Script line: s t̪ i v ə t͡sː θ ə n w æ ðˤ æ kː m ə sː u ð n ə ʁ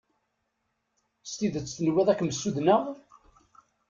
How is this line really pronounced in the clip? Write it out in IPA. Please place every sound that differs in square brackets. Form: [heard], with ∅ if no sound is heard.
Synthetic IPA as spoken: s t̪ i [ð] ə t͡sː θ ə n w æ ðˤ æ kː m ə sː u ð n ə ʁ

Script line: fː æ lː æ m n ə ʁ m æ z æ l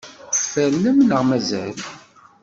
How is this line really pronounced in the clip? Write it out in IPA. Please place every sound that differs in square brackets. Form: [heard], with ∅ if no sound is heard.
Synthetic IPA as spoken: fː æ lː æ m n ə ʁ m æ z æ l

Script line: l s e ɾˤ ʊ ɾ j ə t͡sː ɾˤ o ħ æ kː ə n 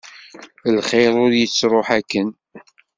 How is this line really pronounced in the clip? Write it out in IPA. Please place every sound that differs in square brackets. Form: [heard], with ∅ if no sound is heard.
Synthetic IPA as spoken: l [χ] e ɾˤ ʊ ɾ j ə t͡sː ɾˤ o ħ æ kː ə n

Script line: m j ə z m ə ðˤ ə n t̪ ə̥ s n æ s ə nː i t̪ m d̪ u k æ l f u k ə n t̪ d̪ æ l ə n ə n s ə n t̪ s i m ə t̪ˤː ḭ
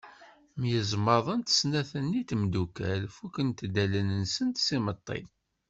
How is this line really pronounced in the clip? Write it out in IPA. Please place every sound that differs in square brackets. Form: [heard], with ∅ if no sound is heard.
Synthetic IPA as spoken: m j ə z m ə ðˤ ə n t̪ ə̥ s n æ [θ] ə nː i t̪ m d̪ u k æ l f u k ə n t̪ d̪ æ l ə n ə n s ə n t̪ s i m ə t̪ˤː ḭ

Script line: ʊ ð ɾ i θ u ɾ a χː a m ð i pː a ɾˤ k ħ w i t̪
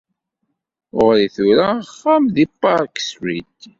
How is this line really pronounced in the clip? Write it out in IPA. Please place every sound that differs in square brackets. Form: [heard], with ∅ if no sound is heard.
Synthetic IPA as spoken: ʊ [ʁ] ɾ i θ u ɾ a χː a m ð i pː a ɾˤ k [s] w i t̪

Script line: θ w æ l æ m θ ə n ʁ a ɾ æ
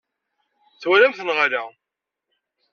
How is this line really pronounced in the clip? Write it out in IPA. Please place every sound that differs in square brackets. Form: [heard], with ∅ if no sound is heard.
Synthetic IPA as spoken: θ w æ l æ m θ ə n ʁ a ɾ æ

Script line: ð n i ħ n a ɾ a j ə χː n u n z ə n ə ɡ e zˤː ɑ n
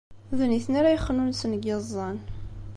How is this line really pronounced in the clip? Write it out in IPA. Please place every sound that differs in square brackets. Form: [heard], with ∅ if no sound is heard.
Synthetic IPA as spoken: ð n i [θ] n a ɾ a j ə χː n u n [s] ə n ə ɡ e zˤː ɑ n

